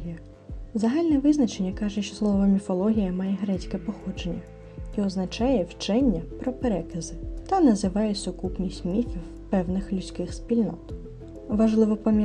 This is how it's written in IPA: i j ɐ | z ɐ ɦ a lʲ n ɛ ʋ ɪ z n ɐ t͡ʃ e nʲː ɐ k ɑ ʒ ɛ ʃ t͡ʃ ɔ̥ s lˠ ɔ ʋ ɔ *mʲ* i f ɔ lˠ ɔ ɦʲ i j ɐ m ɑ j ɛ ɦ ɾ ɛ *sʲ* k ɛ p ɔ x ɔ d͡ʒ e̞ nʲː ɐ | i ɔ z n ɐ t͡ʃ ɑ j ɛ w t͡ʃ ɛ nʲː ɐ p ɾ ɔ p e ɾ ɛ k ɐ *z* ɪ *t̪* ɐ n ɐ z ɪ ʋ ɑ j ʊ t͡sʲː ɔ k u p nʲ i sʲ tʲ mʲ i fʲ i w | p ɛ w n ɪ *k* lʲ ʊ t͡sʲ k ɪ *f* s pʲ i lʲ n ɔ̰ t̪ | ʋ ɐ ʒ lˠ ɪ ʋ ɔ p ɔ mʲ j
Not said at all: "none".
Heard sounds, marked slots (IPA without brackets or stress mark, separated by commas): mʲ, t͡sʲ, z, t̪, x, x